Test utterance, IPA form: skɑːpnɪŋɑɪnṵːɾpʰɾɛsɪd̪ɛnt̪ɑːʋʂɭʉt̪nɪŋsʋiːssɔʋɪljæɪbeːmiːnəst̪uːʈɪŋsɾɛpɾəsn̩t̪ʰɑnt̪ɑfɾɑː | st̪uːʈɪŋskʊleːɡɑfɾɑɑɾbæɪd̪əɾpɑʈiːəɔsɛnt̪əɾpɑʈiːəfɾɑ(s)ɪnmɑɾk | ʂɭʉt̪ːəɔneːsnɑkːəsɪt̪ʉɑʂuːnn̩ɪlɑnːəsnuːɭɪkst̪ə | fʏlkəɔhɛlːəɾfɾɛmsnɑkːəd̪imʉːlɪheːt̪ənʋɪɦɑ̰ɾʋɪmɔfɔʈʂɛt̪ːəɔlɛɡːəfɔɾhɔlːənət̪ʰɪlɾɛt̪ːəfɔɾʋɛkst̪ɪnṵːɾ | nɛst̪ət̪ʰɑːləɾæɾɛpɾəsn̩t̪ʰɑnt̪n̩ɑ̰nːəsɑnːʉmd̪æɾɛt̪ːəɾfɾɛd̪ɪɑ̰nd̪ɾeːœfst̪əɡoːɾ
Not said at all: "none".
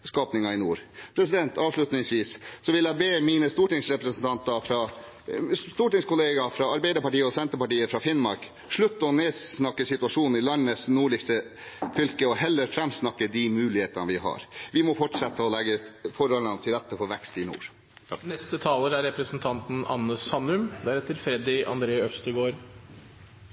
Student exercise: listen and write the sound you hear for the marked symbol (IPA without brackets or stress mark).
f